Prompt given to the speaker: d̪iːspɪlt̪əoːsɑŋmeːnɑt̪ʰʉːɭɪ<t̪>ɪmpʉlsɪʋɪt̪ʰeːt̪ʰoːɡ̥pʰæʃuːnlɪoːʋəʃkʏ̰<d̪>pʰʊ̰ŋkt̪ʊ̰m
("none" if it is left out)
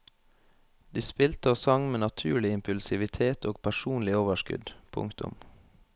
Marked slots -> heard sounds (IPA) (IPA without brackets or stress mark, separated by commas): none, d̪